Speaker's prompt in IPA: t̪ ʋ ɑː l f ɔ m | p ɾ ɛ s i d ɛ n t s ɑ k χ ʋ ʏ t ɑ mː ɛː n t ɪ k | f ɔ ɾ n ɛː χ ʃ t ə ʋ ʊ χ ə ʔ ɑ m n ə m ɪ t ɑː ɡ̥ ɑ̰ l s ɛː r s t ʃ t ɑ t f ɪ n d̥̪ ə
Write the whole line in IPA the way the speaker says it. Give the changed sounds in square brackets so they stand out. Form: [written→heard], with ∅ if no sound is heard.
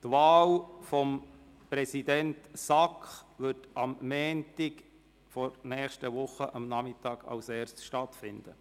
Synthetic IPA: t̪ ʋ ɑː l f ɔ m | p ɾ ɛ s i d ɛ n t s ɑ k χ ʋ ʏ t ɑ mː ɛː n t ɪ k | f ɔ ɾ n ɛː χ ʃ t ə ʋ ʊ χ ə ʔ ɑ m n [ə→ɑ] m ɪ t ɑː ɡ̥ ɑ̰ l s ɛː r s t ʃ t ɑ t f ɪ n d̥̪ ə

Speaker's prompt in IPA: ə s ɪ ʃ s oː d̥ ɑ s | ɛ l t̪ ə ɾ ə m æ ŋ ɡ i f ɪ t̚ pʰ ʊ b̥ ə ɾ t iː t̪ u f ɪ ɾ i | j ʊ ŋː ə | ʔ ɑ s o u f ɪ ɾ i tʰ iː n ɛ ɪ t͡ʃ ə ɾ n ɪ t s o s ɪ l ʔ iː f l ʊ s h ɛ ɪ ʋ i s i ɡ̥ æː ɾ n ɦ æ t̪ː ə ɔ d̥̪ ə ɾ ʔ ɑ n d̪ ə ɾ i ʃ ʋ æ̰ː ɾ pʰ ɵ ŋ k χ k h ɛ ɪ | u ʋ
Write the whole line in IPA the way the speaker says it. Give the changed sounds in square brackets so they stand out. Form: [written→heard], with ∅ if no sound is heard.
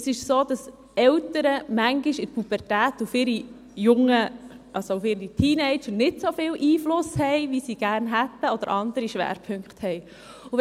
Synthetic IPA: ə s ɪ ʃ s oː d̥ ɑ s | ɛ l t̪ ə ɾ ə m æ ŋ ɡ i [f→ʃ] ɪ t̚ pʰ [ʊ→u] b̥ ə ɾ t [iː→æː] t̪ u f ɪ ɾ i | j ʊ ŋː ə | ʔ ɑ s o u f ɪ ɾ i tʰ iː n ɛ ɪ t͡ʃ ə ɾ n ɪ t s o [s→f] ɪ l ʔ iː f l ʊ s h ɛ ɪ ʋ i s i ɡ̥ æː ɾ n ɦ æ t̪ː ə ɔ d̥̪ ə ɾ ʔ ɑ n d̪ ə ɾ i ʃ ʋ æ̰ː ɾ pʰ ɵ ŋ k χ [k→t] h ɛ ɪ | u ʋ

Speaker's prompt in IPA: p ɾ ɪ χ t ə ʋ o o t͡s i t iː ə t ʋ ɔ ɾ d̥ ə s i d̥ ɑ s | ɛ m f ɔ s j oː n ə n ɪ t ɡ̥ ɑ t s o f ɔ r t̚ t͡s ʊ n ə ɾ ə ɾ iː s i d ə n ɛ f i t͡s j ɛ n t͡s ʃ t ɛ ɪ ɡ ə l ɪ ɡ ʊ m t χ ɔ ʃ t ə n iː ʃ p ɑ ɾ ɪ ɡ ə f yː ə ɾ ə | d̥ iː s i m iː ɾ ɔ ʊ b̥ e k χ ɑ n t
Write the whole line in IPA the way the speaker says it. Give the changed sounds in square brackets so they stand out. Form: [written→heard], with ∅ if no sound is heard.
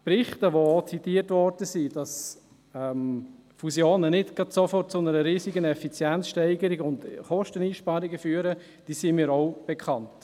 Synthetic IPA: p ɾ ɪ χ t ə ʋ o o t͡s i t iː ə t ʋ ɔ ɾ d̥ ə s i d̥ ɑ s | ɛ m f [ɔ→u] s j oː n ə n ɪ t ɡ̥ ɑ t s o f ɔ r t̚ t͡s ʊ n ə ɾ ə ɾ iː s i [d→ɡ] ə n ɛ f i t͡s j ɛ n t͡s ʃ t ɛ ɪ ɡ ə [l→ɾ] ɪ ɡ ʊ [m→n] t χ ɔ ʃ t ə n iː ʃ p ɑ ɾ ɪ ɡ ə f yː ə ɾ ə | d̥ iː s i m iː ɾ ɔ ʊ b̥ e k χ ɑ n t

